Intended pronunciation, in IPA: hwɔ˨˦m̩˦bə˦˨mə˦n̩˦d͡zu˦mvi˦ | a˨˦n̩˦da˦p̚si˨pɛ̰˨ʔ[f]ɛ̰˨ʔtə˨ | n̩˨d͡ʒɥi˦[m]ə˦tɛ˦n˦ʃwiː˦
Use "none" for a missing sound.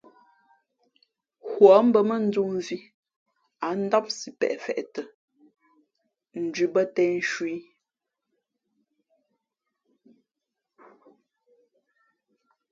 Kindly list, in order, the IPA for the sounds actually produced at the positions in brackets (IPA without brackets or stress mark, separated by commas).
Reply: f, b